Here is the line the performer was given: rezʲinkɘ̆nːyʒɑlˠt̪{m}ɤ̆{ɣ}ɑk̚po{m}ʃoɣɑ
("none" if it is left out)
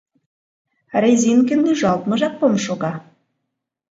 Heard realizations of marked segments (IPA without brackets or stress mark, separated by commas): m, ʒ, m